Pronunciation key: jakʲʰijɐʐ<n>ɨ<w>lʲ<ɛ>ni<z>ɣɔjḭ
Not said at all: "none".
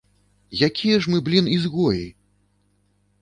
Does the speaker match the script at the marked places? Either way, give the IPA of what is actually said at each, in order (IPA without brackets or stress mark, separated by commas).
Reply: m, b, i, z